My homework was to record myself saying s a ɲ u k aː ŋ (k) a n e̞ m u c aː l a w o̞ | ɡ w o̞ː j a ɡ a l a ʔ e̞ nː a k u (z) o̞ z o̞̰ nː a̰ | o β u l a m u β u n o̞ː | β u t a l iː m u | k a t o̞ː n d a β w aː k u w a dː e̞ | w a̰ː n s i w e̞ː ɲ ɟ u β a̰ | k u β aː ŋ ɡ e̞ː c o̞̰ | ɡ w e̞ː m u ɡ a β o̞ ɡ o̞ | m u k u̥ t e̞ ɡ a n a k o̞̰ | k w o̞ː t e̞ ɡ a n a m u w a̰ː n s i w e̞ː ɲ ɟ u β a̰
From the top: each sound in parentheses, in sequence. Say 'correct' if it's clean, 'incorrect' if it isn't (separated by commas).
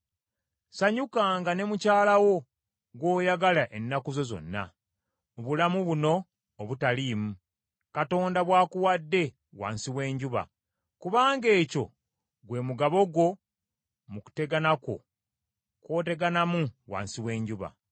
incorrect, correct